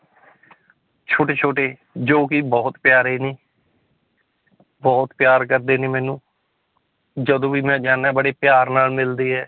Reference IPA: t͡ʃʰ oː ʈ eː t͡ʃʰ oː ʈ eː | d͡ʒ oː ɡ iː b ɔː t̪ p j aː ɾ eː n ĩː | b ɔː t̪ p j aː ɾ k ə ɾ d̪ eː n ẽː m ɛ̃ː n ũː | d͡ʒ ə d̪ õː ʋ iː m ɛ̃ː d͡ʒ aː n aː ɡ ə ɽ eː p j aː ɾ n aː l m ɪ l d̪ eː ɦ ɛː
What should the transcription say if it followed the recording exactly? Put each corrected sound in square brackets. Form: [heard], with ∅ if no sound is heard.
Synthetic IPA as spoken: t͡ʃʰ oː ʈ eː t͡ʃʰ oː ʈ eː | d͡ʒ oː [k] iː b ɔː t̪ p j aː ɾ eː n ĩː | b ɔː t̪ p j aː ɾ k ə ɾ d̪ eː n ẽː m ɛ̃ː n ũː | d͡ʒ ə d̪ õː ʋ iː m ɛ̃ː d͡ʒ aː n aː [b] ə ɽ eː p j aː ɾ n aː l m ɪ l d̪ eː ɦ ɛː